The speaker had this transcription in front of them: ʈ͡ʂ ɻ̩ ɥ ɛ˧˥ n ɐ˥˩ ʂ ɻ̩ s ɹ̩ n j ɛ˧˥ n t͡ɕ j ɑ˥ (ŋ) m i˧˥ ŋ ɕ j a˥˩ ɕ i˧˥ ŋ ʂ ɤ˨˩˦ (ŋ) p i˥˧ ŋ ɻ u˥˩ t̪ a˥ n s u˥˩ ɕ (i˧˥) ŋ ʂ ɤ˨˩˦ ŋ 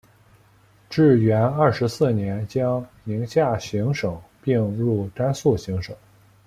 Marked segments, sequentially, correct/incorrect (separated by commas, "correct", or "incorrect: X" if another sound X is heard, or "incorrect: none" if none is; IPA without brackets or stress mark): correct, correct, correct